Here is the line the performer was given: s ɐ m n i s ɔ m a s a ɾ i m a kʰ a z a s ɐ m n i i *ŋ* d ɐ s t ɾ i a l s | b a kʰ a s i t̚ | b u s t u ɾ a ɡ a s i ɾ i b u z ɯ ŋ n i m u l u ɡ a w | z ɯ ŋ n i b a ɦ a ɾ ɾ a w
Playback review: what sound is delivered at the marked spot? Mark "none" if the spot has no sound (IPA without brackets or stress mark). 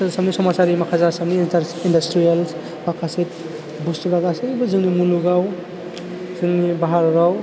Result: n